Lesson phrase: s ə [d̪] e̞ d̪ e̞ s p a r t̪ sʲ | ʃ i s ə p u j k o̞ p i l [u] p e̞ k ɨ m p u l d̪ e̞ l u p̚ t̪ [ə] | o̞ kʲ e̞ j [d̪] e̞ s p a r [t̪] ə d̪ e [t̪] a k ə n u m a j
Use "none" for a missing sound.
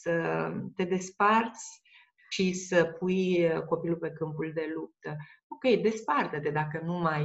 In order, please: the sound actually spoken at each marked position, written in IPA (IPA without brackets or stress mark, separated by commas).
t̪, u, ə, d̪, t̪, d̪